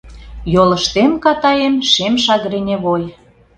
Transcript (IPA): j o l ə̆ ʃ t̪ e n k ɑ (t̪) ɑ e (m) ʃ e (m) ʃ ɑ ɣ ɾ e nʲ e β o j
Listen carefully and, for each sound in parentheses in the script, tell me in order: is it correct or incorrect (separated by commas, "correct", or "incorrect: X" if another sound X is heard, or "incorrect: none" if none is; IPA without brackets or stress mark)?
correct, correct, correct